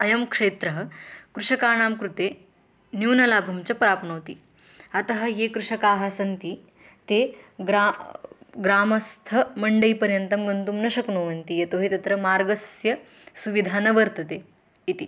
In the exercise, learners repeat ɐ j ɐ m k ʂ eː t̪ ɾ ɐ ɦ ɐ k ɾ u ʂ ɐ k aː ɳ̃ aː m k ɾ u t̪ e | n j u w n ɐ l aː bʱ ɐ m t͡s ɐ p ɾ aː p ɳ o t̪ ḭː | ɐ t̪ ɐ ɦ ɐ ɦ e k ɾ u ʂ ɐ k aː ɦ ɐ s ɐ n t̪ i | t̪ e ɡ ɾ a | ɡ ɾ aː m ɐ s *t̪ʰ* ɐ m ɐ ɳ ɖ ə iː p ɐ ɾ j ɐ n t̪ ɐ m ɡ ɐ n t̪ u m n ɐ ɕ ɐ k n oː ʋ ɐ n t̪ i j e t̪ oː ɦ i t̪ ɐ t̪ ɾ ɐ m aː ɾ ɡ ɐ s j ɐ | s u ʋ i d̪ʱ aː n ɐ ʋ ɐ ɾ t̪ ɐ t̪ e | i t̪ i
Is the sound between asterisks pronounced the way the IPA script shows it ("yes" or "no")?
yes